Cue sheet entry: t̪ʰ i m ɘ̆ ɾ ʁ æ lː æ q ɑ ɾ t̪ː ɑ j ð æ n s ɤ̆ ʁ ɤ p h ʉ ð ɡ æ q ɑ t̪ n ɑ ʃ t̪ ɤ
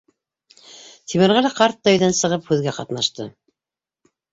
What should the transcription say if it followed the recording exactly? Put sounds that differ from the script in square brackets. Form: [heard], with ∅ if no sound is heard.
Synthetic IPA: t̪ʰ i m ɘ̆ ɾ ʁ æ [l] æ q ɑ ɾ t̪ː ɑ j ð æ n s ɤ̆ ʁ ɤ p h ʉ ð ɡ æ q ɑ t̪ n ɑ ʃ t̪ ɤ